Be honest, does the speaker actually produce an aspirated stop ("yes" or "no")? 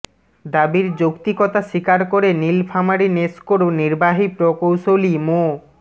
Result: no